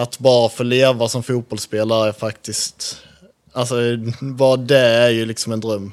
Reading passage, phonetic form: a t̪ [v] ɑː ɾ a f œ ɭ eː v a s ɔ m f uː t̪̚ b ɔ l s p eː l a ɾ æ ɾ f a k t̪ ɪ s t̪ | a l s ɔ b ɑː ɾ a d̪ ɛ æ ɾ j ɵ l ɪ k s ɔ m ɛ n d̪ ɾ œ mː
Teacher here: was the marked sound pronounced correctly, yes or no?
no